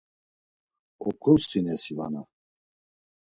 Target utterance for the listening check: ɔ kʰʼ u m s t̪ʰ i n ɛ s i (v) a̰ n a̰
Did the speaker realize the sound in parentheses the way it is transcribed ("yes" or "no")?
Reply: yes